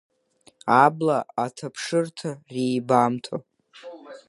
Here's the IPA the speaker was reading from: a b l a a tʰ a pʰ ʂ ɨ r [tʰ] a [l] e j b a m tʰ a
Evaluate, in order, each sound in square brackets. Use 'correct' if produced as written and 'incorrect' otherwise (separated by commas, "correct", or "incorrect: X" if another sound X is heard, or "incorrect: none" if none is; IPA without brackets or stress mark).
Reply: correct, incorrect: r